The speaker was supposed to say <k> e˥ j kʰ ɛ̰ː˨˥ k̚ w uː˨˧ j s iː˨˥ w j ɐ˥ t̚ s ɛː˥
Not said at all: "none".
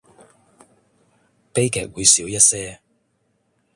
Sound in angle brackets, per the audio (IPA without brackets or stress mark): p